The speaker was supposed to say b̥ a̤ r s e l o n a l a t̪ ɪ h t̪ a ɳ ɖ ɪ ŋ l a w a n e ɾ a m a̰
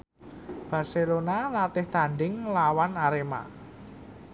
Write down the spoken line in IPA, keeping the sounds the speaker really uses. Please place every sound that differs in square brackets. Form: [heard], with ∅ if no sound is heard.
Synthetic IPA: b̥ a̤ r s e l o n a l a t̪ ɪ h t̪ a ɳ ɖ ɪ ŋ l a w a n [a] ɾ [e] m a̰